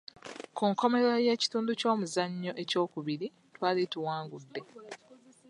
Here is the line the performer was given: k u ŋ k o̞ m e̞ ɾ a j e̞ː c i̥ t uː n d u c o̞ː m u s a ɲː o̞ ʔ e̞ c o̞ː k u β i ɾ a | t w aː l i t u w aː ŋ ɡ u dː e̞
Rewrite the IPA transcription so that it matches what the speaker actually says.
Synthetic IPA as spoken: k u ŋ k o̞ m e̞ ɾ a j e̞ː c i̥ t uː n d u c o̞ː m u z a ɲː o̞ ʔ e̞ c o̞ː k u β i ɾ i | t w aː l i t u w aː ŋ ɡ u dː e̞